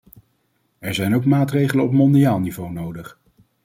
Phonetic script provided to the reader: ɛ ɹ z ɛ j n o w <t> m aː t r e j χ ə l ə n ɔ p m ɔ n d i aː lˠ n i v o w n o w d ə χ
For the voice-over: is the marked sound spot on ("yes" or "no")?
no